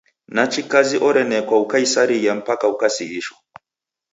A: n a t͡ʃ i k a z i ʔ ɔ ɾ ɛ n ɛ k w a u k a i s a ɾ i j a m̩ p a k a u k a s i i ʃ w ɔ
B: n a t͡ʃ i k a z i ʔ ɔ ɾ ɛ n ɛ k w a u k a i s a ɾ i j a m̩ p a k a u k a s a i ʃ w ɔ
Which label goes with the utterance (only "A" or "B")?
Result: A